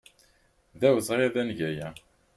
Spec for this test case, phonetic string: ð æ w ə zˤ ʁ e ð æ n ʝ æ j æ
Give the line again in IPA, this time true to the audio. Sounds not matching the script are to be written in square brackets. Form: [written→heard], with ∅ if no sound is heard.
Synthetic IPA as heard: ð æ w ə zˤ ʁ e ð æ n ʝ æ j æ

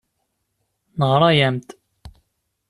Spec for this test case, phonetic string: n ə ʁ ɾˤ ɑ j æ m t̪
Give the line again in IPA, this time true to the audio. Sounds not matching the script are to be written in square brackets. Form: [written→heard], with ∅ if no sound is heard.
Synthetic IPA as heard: n ə ʁ ɾˤ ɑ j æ m t̪

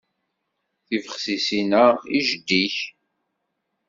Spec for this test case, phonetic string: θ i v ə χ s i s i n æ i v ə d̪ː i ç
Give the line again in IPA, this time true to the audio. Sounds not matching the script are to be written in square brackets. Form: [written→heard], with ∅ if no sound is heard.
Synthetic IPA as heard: θ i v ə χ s i s i n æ i [v→ʒ] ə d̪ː i ç

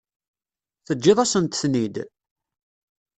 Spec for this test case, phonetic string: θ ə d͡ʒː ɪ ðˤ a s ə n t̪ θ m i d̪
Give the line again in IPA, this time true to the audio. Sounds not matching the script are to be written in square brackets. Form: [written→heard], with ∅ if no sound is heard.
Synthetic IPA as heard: θ ə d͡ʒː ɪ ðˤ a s ə n t̪ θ [m→n] i d̪

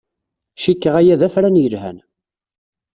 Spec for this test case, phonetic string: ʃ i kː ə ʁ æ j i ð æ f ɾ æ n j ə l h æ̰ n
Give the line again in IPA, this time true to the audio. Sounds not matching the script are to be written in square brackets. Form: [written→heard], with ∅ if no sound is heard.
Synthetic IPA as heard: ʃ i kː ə ʁ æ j [i→æ] ð æ f ɾ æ n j ə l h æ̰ n

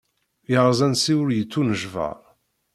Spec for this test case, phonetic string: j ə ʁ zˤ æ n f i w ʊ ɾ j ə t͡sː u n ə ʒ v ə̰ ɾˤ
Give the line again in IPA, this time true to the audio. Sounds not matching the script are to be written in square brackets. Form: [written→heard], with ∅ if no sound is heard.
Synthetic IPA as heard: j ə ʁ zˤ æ n [f→s] i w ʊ ɾ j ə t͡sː u n ə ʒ v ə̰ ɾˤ

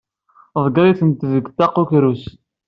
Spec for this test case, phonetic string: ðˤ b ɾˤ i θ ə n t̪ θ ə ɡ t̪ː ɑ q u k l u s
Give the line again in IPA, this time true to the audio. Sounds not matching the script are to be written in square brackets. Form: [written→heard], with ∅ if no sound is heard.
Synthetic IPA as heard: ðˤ [b→ɡ] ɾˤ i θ ə n t̪ [θ→ð] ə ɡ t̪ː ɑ q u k [l→ɾ] u s

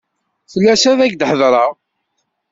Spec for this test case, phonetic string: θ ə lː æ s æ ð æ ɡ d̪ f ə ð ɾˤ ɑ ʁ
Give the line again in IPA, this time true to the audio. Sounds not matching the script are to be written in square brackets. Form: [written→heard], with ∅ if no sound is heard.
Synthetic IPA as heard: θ ə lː æ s æ ð æ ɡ d̪ [f→ħ] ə ð ɾˤ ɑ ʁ

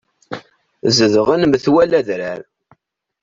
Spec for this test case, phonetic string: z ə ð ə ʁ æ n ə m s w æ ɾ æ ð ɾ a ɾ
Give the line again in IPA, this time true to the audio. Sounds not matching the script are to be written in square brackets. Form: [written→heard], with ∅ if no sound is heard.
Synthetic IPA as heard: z ə ð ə ʁ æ n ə m [s→θ] w æ [ɾ→l] æ ð ɾ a ɾ

